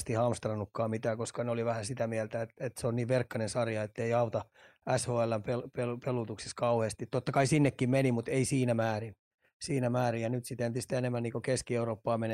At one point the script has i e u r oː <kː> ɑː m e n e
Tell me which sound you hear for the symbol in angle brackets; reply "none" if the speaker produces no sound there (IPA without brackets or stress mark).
pː